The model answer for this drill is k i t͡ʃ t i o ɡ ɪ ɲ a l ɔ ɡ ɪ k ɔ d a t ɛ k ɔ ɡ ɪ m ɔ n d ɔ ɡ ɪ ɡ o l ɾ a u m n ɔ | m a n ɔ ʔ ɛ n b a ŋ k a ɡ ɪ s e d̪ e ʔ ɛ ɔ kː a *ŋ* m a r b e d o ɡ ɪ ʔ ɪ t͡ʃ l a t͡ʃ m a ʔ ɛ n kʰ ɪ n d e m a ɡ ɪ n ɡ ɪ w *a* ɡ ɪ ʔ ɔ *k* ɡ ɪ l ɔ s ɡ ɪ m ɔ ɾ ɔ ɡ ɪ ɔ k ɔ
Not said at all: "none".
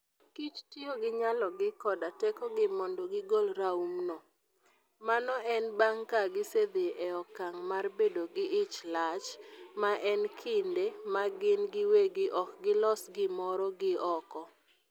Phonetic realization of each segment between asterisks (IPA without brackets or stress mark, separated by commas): ŋ, e, k